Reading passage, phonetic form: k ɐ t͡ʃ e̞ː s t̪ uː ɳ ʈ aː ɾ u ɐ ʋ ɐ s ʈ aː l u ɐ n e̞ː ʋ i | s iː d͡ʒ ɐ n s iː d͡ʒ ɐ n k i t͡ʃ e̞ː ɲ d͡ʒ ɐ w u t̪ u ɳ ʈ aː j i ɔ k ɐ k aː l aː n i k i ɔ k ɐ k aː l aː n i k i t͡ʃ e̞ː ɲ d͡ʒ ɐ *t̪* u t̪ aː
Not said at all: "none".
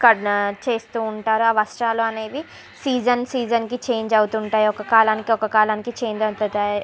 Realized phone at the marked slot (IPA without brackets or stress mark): t̪